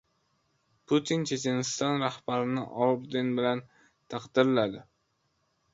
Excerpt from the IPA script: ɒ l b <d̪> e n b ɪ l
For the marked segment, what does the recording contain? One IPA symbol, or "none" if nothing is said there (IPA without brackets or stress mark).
d̪